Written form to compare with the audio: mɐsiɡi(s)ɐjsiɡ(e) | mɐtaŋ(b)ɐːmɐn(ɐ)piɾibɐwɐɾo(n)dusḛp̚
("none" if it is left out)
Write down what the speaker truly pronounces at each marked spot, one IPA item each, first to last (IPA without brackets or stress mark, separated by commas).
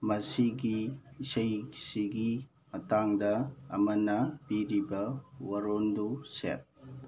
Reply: s, i, d, ɐ, n